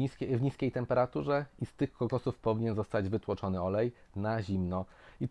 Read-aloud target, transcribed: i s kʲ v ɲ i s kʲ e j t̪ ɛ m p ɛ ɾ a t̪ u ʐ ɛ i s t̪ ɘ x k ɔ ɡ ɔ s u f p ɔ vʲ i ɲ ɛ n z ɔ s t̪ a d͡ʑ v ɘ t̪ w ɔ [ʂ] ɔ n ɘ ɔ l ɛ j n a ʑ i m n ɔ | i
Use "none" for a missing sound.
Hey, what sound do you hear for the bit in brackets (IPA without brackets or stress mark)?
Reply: t͡ʂ